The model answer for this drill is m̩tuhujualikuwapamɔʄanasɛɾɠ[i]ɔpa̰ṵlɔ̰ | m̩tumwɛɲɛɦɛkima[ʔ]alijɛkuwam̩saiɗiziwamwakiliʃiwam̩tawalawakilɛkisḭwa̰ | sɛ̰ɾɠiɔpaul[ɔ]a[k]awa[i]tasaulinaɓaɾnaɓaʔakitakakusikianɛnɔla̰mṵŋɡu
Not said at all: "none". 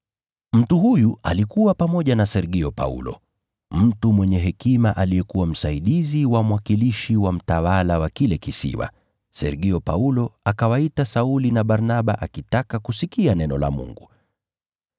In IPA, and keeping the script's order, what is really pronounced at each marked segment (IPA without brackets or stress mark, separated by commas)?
i, ʔ, ɔ, k, i